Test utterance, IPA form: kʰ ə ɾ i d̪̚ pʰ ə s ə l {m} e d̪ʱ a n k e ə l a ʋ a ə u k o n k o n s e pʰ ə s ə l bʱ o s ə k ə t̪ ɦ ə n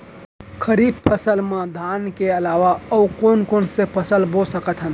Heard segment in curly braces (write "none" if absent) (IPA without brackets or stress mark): m